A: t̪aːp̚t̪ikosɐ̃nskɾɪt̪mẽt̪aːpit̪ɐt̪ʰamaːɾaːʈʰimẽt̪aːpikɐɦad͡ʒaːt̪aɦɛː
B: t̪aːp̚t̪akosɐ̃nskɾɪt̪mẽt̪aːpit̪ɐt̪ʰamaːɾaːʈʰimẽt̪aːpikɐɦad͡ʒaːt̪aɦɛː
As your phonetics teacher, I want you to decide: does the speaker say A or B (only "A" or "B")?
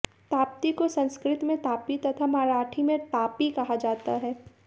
A